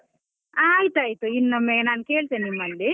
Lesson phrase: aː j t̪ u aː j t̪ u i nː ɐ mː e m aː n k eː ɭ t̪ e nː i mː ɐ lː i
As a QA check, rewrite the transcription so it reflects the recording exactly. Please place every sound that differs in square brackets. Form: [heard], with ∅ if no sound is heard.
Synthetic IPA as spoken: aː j t̪ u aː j t̪ u i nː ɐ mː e [n] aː n k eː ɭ t̪ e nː i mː ɐ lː i